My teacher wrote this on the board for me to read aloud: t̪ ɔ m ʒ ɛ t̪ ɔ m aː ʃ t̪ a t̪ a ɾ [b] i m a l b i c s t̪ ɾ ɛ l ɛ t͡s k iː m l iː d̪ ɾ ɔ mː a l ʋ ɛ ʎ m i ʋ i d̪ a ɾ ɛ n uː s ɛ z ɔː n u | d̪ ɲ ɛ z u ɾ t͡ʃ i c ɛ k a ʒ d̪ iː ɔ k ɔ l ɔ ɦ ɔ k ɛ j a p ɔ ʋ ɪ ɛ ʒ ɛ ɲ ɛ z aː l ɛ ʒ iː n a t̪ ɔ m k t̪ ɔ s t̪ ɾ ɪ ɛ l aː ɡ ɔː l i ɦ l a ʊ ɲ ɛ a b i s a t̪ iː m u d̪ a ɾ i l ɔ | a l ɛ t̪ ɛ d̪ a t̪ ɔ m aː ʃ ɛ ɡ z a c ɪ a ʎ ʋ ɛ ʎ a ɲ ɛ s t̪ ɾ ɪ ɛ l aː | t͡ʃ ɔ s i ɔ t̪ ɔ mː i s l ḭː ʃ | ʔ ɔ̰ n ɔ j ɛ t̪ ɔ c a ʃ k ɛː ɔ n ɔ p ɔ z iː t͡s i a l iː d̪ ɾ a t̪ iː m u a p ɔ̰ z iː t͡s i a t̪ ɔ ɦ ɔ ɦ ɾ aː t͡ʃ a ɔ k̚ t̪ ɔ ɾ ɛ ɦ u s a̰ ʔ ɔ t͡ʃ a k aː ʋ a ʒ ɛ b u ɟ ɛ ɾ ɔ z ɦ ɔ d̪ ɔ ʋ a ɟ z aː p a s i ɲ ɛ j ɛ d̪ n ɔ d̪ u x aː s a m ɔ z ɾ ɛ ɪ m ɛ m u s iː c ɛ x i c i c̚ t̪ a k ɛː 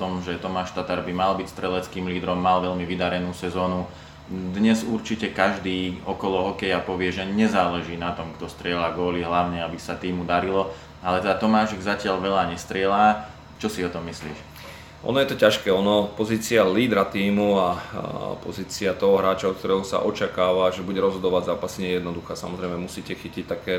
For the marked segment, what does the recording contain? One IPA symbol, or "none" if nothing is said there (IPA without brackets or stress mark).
b